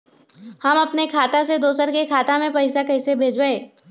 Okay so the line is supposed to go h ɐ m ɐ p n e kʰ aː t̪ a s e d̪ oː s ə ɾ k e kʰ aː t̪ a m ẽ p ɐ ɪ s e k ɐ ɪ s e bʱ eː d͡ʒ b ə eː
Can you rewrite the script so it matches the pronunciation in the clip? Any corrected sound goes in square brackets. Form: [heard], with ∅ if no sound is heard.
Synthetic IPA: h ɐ m ɐ p n e kʰ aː t̪ a s e d̪ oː s ə ɾ k e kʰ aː t̪ a m ẽ p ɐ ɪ s [a] k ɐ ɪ s e bʱ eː d͡ʒ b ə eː